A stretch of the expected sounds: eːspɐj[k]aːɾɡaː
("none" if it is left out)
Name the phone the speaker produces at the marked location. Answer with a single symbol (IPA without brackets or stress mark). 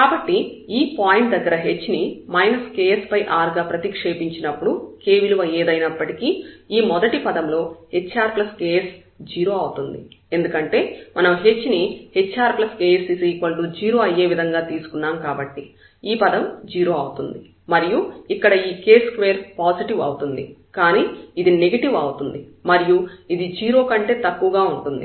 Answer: ʔ